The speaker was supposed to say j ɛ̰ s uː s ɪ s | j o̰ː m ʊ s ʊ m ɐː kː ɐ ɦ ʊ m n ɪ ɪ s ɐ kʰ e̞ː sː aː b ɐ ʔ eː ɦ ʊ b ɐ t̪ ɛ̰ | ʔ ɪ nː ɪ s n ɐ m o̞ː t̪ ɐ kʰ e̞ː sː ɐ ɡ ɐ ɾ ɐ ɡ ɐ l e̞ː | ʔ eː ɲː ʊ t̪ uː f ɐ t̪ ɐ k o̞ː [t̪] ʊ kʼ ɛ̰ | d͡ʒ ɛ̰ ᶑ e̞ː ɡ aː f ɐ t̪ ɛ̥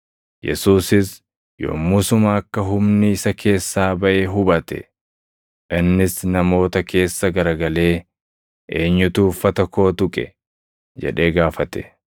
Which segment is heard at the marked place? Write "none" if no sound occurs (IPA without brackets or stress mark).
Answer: t̪